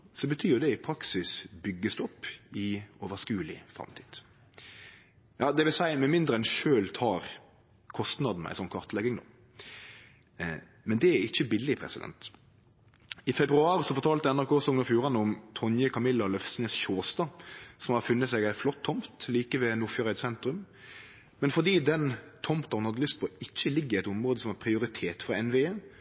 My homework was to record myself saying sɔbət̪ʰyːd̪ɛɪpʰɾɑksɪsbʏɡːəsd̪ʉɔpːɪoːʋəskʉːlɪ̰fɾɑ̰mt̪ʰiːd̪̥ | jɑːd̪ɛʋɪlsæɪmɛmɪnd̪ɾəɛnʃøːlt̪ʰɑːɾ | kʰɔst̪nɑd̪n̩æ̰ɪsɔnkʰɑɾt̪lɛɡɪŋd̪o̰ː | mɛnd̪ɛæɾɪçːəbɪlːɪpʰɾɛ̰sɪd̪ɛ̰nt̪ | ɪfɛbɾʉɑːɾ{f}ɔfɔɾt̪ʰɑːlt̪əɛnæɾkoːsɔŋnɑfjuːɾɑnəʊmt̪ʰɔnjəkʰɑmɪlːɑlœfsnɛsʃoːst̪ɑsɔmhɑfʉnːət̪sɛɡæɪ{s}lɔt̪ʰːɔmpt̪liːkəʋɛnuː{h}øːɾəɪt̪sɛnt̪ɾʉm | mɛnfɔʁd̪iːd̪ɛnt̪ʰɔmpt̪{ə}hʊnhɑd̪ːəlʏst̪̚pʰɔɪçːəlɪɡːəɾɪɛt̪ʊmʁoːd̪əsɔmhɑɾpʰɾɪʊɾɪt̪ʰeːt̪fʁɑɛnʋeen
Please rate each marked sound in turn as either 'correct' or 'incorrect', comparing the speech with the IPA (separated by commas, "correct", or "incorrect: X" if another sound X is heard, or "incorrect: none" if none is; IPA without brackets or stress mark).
incorrect: s, incorrect: f, incorrect: f, incorrect: ɑ